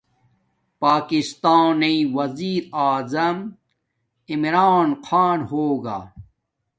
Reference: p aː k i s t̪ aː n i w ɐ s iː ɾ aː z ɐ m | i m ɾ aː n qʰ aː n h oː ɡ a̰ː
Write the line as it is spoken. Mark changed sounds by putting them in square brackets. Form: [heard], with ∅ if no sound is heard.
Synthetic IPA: p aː k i s t̪ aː n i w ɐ [z] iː ɾ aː z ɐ m | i m ɾ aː n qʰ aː n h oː ɡ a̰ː

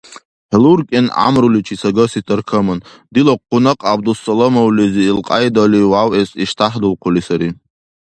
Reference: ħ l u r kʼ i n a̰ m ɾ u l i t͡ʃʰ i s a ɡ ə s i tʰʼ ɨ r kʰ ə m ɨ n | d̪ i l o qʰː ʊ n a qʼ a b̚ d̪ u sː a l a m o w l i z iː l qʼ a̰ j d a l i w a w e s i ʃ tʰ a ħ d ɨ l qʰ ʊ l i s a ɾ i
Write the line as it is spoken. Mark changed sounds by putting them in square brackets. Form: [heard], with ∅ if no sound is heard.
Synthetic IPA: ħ l u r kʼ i n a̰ m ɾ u l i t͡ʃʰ i s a ɡ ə s i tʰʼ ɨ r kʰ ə m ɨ n | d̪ i l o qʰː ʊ n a qʼ a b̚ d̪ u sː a l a m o w l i z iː l qʼ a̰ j d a l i w a w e s i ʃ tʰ a ħ d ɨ l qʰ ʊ l i s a ɾ i

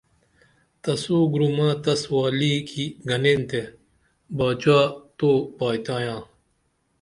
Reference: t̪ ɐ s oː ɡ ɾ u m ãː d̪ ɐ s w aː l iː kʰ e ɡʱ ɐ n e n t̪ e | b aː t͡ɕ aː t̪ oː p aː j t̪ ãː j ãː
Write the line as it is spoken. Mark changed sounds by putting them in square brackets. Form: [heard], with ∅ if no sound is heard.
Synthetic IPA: t̪ ɐ s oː ɡ ɾ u m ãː [t̪] ɐ s w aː l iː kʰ [i] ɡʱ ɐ n e n t̪ e | b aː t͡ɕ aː t̪ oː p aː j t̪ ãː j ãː

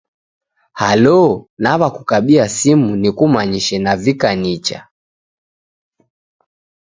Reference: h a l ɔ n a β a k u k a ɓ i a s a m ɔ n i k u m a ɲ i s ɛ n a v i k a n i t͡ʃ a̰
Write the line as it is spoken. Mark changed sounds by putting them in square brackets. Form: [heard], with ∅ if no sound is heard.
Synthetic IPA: h a l ɔ n a β a k u k a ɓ i a s [i] m [u] n i k u m a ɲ i [ʃ] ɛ n a v i k a n i t͡ʃ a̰

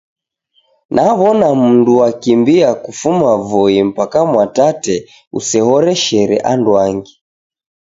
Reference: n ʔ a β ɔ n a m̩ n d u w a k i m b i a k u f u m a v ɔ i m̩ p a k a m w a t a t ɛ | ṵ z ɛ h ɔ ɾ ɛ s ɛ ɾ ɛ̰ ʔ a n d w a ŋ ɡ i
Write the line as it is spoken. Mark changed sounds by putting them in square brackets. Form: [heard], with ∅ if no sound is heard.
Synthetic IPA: n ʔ a β ɔ n a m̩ n d u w a k i m b i a k u f u m a v ɔ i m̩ p a k a m w a t a t ɛ | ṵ [s] ɛ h ɔ ɾ ɛ [ʃ] ɛ ɾ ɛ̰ ʔ a n d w a ŋ ɡ i

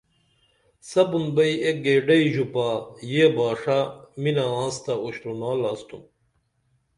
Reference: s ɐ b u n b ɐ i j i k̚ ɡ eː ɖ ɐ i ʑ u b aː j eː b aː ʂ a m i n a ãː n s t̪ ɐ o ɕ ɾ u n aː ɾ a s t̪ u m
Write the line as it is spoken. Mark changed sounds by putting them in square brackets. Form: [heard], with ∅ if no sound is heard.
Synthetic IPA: s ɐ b u n b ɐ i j [e] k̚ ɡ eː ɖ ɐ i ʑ u [p] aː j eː b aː ʂ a m i n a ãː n s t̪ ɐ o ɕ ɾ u n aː [l] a s t̪ u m

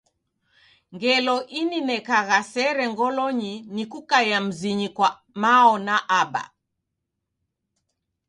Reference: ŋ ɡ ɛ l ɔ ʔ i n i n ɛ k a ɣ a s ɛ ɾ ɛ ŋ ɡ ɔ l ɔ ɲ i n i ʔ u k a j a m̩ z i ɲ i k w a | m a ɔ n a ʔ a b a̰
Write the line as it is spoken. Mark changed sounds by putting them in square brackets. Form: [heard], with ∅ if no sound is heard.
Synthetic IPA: ŋ ɡ ɛ l ɔ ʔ i n i n ɛ k a ɣ a s ɛ ɾ ɛ ŋ ɡ ɔ l ɔ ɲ i n i [k] u k a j a m̩ z i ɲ i k w a | m a ɔ n a ʔ a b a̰

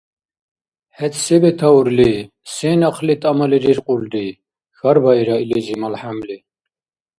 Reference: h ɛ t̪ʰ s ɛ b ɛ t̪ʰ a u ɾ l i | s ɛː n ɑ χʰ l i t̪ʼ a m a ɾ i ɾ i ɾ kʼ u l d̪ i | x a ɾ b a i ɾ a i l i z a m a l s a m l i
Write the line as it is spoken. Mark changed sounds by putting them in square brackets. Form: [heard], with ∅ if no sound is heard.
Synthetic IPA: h ɛ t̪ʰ s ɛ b ɛ t̪ʰ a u ɾ l i | s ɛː n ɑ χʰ l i t̪ʼ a m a [l] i ɾ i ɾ [qʼ] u l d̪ i | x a ɾ b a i ɾ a i l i z [i] m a l [ħ] a m l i

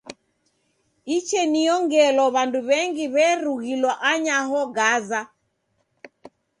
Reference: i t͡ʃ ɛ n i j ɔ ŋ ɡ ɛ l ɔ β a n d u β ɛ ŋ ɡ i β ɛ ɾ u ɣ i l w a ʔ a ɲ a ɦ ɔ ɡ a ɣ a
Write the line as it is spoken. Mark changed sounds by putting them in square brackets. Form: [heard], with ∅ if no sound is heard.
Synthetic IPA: i t͡ʃ ɛ n i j ɔ ŋ ɡ ɛ l ɔ β a n d u β ɛ ŋ ɡ i β ɛ ɾ u ɣ i l w a ʔ a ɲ a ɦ ɔ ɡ a [z] a

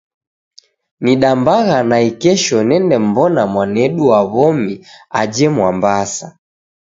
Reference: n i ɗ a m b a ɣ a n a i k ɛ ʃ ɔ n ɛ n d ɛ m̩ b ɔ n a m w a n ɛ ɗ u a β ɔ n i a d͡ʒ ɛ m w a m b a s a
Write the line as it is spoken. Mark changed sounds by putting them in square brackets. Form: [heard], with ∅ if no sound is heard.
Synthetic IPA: n i ɗ a m b a ɣ a n a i k ɛ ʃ ɔ n ɛ n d ɛ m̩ b ɔ n a m w a n ɛ ɗ u a β ɔ [m] i a d͡ʒ ɛ m w a m b a s a

